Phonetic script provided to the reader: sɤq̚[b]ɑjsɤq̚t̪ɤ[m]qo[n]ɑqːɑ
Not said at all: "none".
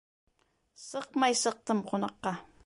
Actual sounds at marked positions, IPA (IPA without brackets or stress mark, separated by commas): m, m, n